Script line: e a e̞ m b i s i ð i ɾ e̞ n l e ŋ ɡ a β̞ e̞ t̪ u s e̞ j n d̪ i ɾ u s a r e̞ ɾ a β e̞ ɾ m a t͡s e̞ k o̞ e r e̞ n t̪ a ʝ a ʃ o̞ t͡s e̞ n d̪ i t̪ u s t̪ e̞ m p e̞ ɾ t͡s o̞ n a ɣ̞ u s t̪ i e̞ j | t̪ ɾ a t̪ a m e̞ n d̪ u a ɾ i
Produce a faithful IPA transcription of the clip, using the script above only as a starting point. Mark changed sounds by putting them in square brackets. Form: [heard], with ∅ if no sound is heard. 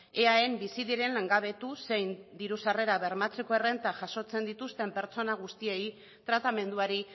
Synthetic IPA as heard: e a e̞ m b i s i ð i ɾ e̞ n l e ŋ ɡ a β̞ e̞ t̪ u s e̞ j n d̪ i ɾ u s a r e̞ ɾ a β e̞ ɾ m a t͡s e̞ k o̞ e r e̞ n t̪ a ʝ a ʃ o̞ t͡s e̞ n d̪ i t̪ u s t̪ e̞ m p e̞ ɾ t͡s o̞ n a ɣ̞ u s t̪ i e̞ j | t̪ ɾ a t̪ a m e̞ n d̪ u a ɾ i

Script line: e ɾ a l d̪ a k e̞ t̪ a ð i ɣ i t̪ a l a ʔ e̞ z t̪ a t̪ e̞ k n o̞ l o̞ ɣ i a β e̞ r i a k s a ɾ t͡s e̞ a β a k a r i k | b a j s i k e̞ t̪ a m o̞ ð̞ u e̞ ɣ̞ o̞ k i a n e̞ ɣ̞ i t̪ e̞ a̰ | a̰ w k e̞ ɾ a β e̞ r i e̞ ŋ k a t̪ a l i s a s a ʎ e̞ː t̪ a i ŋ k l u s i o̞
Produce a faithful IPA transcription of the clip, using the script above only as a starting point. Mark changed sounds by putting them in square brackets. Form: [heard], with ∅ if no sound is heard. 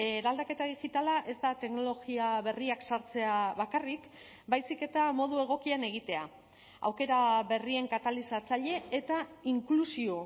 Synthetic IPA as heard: e ɾ a l d̪ a k e̞ t̪ a ð i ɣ i t̪ a l a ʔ e̞ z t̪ a t̪ e̞ k n o̞ l o̞ ɣ i a β e̞ r i a k s a ɾ t͡s e̞ a β a k a r i k | b a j s i k e̞ t̪ a m o̞ ð̞ u e̞ ɣ̞ o̞ k i a n e̞ ɣ̞ i t̪ e̞ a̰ | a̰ w k e̞ ɾ a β e̞ r i e̞ ŋ k a t̪ a l i s a [t͡s] a ʎ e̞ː t̪ a i ŋ k l u s i o̞

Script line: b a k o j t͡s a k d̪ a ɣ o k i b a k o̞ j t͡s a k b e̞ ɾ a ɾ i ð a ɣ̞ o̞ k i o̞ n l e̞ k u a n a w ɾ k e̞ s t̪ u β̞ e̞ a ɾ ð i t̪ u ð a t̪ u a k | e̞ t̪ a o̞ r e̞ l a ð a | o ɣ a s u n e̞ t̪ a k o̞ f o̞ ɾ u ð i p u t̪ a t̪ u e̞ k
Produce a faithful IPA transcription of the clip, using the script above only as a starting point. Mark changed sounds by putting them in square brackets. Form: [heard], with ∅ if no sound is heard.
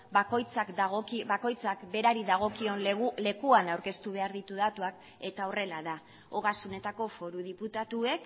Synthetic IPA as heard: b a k o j t͡s a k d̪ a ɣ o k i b a k o̞ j t͡s a k b e̞ ɾ a ɾ i ð a ɣ̞ o̞ k i o̞ n l e̞ k u a n a w ɾ k e̞ s t̪ u β̞ e̞ a ɾ ð i t̪ u ð a t̪ u a k | e̞ t̪ a o̞ r e̞ l a ð a | o ɣ a s u n e̞ t̪ a k o̞ f o̞ ɾ u ð i p u t̪ a t̪ u e̞ k

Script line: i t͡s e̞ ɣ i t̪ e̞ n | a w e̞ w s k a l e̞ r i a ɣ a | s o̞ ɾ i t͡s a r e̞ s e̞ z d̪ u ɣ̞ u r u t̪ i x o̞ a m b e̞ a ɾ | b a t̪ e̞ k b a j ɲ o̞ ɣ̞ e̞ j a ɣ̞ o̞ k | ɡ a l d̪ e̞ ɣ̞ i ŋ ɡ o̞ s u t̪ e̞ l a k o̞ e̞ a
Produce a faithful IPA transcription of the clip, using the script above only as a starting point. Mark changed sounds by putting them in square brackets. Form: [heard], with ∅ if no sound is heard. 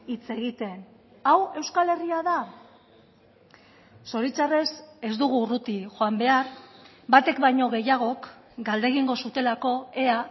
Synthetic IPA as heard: i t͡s e̞ ɣ i t̪ e̞ n | a w e̞ w s k a l e̞ r i a [ð] a | s o̞ ɾ i t͡s a r e̞ s e̞ z d̪ u ɣ̞ u r u t̪ i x o̞ a m b e̞ a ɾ | b a t̪ e̞ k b a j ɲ o̞ ɣ̞ e̞ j a ɣ̞ o̞ k | ɡ a l d̪ e̞ ɣ̞ i ŋ ɡ o̞ s u t̪ e̞ l a k o̞ e̞ a

